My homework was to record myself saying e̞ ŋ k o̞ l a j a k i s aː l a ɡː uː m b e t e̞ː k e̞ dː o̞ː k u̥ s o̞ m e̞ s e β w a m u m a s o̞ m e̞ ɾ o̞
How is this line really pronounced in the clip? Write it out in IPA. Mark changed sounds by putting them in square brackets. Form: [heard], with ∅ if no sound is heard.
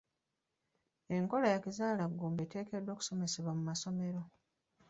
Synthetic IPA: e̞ ŋ k o̞ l a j a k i [z] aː l a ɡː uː m b e t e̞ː k e̞ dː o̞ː k u̥ s o̞ m e̞ s e β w a m u m a s o̞ m e̞ ɾ o̞